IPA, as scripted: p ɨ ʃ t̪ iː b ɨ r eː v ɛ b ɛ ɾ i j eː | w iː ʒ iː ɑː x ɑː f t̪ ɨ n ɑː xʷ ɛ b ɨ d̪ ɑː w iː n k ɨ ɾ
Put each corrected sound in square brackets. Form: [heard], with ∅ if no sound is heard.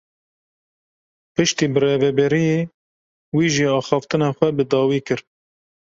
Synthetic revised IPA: p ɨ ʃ t̪ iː b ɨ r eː v ɛ b ɛ ɾ i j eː | w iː ʒ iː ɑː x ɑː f t̪ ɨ n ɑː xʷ ɛ b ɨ d̪ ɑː w iː [∅] k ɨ ɾ